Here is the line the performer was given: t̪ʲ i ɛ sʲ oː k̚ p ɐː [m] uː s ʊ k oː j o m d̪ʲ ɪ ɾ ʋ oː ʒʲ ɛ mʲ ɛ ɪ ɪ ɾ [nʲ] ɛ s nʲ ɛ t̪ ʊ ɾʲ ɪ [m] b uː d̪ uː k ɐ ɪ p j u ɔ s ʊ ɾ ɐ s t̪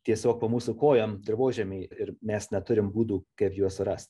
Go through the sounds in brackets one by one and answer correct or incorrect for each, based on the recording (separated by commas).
correct, incorrect, correct